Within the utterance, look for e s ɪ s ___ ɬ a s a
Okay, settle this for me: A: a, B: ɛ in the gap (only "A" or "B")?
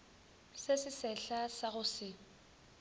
B